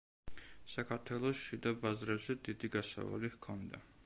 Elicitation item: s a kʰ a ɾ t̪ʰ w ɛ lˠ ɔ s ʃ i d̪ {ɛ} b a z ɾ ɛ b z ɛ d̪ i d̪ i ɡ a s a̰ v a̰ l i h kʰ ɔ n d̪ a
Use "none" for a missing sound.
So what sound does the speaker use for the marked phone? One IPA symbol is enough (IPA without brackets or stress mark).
a